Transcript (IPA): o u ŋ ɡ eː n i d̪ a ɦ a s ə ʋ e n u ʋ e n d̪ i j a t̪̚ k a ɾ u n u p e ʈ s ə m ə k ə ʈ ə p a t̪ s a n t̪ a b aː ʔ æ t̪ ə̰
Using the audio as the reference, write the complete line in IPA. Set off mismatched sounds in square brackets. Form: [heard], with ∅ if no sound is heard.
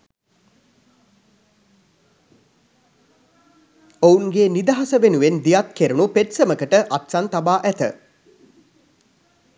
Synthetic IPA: o u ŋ ɡ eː n i d̪ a ɦ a s ə ʋ e n u ʋ e n d̪ i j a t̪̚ k [e] ɾ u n u p e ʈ s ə m ə k ə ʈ ə [ʔ] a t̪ s a n t̪ a b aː ʔ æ t̪ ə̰